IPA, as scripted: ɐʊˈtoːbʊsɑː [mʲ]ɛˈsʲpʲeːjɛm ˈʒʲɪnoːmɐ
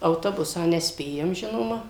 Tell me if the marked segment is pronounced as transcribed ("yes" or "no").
no